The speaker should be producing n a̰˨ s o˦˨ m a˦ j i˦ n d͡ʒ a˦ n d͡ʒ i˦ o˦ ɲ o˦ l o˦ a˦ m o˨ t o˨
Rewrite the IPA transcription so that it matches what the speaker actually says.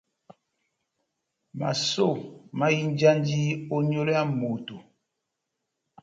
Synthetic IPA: m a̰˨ s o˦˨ m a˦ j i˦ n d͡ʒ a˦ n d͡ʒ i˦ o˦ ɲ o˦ l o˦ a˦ m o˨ t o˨

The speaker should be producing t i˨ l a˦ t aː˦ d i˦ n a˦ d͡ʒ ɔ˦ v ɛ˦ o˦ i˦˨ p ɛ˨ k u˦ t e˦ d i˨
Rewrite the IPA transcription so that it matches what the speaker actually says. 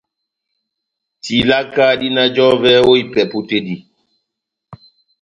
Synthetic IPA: t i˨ l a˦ k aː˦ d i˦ n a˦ d͡ʒ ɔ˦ v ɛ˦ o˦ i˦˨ p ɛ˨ p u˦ t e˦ d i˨

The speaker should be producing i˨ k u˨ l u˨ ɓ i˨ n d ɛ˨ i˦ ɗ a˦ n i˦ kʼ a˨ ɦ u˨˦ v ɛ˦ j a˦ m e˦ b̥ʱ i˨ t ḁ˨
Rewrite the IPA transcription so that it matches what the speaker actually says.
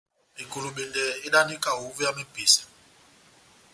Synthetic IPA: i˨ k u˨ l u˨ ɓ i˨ n d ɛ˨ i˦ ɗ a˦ n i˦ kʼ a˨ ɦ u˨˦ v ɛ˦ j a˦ m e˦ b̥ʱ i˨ s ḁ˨

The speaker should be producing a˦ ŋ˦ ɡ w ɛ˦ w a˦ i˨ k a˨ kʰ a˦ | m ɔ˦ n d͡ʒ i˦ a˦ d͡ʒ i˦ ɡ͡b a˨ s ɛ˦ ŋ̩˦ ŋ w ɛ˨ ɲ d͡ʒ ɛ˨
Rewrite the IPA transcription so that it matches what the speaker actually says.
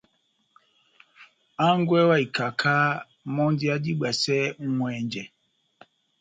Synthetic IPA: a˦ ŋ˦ ɡ w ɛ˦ w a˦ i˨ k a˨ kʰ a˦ | m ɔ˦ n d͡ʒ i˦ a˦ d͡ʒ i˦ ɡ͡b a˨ s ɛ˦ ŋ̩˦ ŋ w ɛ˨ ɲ d͡ʒ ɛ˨

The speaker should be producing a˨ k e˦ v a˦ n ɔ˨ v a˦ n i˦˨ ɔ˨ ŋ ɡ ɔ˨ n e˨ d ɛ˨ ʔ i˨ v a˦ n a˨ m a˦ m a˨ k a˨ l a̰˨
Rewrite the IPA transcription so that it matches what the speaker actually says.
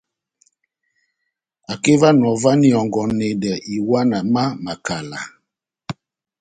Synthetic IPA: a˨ k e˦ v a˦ n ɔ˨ v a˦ n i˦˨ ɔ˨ ŋ ɡ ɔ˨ n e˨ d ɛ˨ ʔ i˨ w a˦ n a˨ m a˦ m a˨ k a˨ l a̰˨

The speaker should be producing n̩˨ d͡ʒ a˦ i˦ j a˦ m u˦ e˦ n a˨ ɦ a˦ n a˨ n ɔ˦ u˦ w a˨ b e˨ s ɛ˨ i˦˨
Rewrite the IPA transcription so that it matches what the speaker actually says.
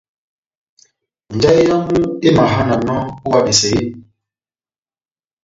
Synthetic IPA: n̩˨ d͡ʒ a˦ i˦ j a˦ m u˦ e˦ m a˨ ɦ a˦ n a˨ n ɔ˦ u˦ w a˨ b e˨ s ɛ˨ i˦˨

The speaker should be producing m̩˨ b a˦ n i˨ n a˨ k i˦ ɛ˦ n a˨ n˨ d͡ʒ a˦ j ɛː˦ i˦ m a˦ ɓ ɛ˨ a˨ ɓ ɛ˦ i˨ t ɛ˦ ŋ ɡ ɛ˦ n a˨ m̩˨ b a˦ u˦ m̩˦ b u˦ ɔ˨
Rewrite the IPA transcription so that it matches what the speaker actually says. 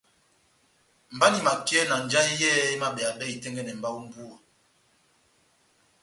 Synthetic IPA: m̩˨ b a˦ n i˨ m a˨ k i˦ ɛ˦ n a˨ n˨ d͡ʒ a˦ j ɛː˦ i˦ m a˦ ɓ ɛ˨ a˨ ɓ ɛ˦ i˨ t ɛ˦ ŋ ɡ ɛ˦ n ɛ˨ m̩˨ b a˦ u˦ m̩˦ b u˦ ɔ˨

